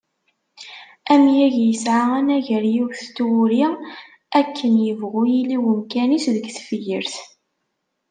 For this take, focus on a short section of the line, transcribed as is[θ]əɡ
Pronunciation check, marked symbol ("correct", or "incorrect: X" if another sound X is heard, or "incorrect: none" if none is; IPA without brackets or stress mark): incorrect: ð